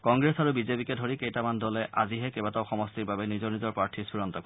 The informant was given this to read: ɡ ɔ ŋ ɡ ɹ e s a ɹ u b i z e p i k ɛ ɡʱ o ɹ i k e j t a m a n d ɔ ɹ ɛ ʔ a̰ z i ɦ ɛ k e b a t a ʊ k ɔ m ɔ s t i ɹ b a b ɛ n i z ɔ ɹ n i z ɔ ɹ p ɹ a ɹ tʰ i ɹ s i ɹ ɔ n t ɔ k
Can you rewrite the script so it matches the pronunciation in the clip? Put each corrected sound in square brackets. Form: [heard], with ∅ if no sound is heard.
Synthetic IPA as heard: [k] ɔ ŋ ɡ ɹ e s a ɹ u b i z e p i k ɛ [dʱ] o ɹ i k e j t a m a n d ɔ [l] ɛ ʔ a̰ z i ɦ ɛ k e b a t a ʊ [x] ɔ m ɔ s t i ɹ b a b ɛ n i z ɔ ɹ n i z ɔ ɹ p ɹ a ɹ tʰ i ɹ s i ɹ ɔ n t ɔ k